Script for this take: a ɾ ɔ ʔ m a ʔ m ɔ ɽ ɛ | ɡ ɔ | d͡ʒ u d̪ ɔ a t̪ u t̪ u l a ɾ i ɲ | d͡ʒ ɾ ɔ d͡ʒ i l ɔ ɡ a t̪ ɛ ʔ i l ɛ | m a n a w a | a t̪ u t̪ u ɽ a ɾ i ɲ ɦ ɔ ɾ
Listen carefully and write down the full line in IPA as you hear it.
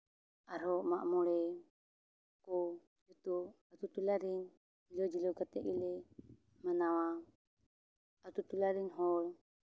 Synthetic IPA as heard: a ɾ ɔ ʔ m a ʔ m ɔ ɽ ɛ | k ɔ | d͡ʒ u t̪ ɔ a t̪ u t̪ u l a ɾ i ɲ | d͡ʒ l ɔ d͡ʒ i l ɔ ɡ a t̪ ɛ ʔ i l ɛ | m a n a w a | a t̪ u t̪ u l a ɾ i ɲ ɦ ɔ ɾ